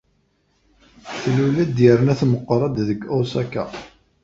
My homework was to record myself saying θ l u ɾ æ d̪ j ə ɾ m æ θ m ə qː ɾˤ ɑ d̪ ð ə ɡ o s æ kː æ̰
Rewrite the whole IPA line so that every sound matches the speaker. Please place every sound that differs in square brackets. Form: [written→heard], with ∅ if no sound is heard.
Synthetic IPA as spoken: θ l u [ɾ→l] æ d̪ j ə ɾ [m→n] æ θ m ə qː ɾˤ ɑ d̪ ð ə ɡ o s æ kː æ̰